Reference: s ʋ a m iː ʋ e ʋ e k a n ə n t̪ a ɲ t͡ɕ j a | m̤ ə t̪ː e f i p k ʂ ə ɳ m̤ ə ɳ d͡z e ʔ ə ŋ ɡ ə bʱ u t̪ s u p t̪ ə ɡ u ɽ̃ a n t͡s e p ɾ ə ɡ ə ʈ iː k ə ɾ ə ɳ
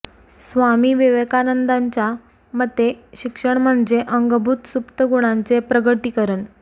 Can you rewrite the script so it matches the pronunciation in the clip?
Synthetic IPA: s ʋ a m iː ʋ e ʋ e k a n ə n d̪ a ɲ t͡ɕ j a | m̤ ə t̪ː e ɕ i k ʂ ə ɳ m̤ ə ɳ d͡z e ʔ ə ŋ ɡ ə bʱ u t̪ s u p t̪ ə ɡ u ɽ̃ a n t͡s e p ɾ ə ɡ ə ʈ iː k ə ɾ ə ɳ